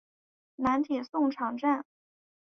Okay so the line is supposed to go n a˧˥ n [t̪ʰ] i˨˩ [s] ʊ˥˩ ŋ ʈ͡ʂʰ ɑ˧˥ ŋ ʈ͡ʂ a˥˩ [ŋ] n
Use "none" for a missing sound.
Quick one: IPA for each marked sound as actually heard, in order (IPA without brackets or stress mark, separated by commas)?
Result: t̪ʰ, s, none